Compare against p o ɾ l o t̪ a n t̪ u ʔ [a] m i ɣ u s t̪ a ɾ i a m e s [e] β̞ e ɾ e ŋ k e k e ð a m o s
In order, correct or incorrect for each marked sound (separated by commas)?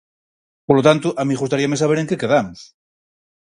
correct, incorrect